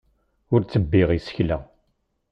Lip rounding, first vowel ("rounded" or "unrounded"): rounded